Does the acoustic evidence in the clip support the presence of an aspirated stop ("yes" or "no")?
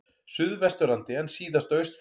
no